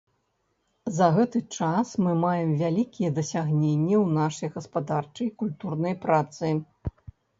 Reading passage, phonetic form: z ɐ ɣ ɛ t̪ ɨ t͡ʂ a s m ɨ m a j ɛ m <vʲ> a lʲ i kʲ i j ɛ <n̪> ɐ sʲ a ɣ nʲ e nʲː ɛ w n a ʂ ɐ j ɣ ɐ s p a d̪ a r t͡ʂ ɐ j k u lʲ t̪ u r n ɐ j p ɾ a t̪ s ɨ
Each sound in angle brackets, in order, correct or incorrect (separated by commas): correct, incorrect